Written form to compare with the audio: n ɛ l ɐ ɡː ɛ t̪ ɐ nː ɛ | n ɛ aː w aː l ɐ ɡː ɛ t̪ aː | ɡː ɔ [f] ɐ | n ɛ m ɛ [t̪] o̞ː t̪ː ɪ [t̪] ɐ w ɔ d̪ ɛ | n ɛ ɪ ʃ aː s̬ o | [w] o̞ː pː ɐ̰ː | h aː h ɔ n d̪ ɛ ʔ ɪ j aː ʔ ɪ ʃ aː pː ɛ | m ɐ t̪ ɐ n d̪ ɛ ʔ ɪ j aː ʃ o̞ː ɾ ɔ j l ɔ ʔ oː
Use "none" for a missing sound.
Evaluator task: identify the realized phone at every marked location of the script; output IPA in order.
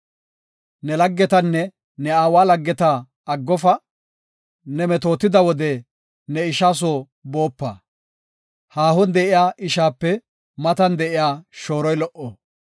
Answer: f, t̪, d̪, b

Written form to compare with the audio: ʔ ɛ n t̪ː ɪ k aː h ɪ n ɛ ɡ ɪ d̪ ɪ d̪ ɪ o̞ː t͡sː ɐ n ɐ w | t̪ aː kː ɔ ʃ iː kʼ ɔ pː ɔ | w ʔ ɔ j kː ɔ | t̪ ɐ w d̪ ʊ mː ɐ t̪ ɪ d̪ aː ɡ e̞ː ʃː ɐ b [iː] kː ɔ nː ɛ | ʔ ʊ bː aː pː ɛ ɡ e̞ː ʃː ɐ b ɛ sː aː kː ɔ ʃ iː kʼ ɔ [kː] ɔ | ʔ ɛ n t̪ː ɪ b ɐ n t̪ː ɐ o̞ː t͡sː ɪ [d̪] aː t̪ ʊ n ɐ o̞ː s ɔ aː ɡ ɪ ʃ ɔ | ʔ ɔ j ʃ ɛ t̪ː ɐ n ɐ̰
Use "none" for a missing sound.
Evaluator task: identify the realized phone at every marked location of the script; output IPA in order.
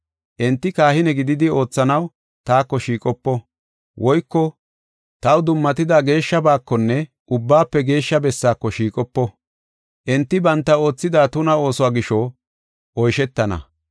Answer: aː, pː, d̪

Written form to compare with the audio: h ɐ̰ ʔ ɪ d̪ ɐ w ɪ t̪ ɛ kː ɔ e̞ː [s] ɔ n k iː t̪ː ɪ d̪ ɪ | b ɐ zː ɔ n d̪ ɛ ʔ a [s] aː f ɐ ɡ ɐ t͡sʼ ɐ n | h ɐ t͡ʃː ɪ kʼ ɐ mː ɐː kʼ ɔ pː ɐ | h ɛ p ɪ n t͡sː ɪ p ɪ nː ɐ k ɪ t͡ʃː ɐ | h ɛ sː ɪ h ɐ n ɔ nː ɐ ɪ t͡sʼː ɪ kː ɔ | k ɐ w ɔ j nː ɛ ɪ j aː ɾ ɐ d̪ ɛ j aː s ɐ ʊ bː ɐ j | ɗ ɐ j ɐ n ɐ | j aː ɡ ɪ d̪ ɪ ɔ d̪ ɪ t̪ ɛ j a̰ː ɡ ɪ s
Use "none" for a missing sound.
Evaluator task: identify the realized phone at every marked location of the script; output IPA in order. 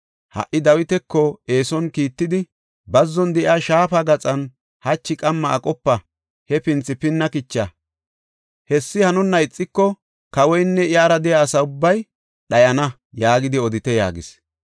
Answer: s, ʃ

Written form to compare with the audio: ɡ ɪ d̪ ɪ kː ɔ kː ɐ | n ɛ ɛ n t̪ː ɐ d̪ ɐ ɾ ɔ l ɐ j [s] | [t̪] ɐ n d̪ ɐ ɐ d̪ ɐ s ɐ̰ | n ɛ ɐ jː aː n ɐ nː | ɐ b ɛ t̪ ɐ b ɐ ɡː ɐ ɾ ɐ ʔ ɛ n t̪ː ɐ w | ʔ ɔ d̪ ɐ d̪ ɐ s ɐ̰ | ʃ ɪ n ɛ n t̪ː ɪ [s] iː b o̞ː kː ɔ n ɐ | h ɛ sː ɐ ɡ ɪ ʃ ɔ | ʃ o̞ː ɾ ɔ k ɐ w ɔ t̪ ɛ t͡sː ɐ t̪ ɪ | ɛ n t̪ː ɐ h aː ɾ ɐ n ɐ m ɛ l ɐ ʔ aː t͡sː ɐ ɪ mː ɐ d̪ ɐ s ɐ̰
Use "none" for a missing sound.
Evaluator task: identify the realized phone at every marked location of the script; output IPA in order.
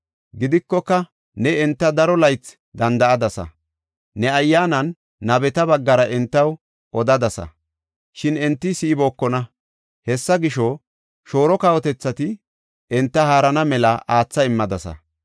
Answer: t͡s, d̪, s

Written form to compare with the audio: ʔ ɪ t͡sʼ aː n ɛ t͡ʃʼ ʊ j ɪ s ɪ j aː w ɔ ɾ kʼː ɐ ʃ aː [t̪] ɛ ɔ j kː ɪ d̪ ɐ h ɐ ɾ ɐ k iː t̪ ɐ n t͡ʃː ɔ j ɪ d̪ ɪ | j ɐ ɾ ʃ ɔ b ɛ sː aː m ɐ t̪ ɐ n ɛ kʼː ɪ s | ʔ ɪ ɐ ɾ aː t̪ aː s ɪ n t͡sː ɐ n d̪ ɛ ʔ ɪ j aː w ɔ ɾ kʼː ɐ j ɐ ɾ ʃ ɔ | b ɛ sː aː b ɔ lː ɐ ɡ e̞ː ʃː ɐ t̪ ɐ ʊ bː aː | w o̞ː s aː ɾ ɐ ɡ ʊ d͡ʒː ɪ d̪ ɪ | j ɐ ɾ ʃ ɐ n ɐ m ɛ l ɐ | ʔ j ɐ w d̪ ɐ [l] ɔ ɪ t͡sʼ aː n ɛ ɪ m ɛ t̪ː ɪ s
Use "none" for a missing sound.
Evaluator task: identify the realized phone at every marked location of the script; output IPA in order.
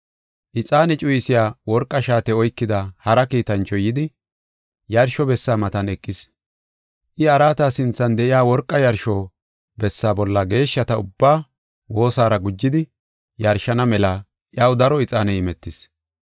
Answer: t̪, ɾ

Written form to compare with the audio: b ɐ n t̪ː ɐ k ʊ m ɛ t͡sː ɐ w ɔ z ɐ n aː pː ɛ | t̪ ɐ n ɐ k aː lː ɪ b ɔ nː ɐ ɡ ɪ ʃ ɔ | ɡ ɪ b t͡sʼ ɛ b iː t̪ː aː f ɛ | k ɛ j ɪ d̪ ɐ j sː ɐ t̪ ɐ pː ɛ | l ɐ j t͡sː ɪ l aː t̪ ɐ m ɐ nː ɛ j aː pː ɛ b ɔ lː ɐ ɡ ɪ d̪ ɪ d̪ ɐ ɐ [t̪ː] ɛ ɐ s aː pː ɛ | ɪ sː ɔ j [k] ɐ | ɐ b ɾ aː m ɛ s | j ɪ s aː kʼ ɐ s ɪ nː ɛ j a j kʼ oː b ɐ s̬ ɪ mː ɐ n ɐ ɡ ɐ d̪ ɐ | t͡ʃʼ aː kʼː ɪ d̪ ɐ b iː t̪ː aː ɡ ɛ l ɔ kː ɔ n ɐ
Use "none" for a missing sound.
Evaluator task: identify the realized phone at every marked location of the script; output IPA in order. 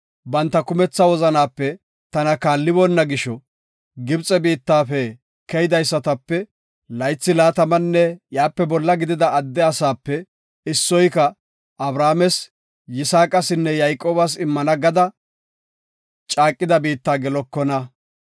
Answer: d̪ː, k

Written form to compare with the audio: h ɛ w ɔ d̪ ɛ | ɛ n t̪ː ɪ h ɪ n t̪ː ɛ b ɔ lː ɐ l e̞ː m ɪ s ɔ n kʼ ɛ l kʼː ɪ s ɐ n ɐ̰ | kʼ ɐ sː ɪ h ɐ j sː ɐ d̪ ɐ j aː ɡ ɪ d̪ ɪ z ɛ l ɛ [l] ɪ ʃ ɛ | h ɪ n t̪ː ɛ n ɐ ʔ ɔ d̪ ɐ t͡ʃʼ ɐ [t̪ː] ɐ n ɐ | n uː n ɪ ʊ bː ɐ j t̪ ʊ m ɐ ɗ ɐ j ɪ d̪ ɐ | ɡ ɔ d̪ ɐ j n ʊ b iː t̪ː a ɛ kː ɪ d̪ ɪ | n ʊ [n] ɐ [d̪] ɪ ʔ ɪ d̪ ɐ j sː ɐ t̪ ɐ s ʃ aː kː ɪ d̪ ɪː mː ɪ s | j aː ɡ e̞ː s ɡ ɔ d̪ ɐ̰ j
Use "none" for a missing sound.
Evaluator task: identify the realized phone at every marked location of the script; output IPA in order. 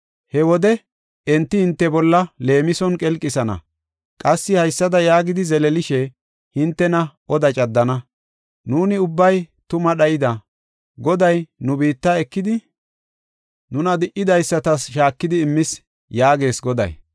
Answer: l, d̪ː, n, d̪

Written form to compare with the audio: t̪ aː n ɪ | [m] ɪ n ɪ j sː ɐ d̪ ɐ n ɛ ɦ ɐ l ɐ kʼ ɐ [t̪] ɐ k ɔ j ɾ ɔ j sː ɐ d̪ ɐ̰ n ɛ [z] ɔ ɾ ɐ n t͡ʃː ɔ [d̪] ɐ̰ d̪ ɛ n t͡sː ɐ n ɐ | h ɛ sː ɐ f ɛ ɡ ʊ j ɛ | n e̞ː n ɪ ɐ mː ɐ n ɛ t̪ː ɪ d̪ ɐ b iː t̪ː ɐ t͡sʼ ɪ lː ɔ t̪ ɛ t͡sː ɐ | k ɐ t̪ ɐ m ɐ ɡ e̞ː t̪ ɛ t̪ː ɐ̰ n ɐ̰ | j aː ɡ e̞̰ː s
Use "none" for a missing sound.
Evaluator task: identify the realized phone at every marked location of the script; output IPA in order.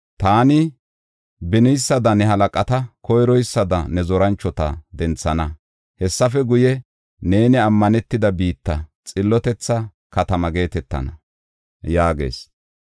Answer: b, t̪, z, t̪

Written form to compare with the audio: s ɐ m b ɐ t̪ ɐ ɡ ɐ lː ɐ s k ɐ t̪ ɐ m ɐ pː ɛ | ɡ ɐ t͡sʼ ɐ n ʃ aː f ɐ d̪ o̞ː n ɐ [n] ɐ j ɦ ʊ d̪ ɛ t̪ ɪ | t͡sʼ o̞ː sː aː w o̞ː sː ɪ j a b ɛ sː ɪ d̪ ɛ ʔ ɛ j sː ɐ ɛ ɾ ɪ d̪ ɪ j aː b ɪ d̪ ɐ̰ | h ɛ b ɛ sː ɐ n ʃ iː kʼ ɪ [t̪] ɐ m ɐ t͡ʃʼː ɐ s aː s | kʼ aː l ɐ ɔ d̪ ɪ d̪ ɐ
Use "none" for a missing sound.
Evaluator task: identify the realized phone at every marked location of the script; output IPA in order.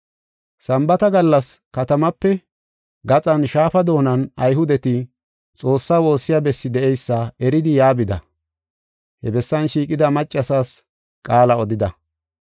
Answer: n, d̪

